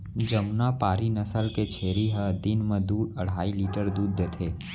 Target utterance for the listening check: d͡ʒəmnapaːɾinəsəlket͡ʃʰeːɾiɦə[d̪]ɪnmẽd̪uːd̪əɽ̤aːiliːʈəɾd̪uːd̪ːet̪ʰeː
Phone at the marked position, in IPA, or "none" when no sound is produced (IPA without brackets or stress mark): d̪